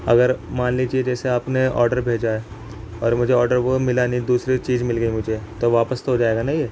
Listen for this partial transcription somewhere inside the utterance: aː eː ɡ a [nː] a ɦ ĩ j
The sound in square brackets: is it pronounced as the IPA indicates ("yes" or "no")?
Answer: no